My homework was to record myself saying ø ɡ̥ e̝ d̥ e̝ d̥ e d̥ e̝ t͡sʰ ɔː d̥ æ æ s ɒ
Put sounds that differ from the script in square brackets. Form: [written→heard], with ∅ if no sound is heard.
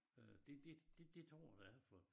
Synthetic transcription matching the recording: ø [ɡ̥→d̥] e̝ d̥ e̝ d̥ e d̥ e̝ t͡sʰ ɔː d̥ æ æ [s→f] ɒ